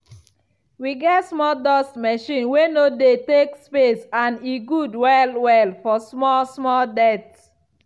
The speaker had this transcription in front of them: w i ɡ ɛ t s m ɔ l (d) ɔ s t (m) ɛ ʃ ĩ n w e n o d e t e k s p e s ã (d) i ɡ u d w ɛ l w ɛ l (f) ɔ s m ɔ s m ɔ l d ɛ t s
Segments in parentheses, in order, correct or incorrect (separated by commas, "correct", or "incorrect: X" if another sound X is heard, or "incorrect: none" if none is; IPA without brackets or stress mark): correct, correct, incorrect: n, correct